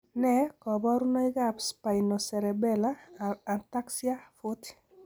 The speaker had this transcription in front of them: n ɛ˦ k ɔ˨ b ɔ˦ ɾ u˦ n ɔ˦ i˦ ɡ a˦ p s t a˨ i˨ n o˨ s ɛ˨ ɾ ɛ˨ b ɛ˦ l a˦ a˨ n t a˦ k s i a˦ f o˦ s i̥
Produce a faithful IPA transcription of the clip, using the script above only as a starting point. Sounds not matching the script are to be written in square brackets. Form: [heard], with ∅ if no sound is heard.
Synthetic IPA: n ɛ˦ k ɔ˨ b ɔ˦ ɾ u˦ n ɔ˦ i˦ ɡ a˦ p s [p] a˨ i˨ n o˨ s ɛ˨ ɾ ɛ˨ b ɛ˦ l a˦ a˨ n t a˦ k s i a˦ f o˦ [t] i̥